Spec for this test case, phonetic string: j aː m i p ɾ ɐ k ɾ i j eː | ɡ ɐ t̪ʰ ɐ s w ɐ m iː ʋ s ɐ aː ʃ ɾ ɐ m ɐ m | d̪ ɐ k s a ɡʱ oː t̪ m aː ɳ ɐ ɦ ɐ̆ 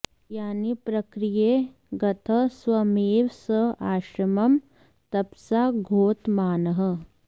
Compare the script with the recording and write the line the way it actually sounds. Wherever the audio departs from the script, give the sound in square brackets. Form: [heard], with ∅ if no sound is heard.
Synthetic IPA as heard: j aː [n] i p ɾ ɐ k ɾ i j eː | ɡ ɐ t̪ʰ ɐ s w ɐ m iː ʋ s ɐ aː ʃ ɾ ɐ m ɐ m | [t̪] ɐ [p] s a ɡʱ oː t̪ m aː [n] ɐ ɦ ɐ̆